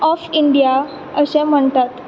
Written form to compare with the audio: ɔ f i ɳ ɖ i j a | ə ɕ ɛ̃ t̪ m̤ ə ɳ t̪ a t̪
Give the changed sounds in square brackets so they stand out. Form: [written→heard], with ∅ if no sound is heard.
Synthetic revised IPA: ɔ f i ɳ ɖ i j a | ə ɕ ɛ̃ [t̪→∅] m̤ ə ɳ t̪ a t̪